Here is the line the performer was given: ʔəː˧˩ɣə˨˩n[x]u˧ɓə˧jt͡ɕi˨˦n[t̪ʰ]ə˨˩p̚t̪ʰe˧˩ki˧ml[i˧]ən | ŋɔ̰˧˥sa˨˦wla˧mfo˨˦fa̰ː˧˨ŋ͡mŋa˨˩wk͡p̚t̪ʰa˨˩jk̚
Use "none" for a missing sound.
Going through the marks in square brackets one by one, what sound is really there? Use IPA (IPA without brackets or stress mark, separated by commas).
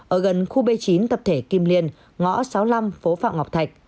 x, t̪, i˧